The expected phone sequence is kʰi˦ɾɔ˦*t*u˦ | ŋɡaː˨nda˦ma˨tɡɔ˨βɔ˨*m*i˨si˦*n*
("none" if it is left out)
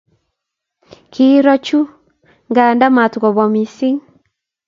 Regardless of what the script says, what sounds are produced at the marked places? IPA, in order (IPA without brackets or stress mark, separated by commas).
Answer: t͡ʃ, m, ŋ